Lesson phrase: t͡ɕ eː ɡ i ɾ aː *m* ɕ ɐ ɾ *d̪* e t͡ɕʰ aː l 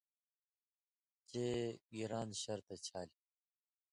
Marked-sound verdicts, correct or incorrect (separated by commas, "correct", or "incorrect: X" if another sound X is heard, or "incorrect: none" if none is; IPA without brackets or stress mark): incorrect: n, incorrect: t̪